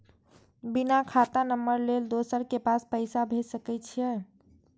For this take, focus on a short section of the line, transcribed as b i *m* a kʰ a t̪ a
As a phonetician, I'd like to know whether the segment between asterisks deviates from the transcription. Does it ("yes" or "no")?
yes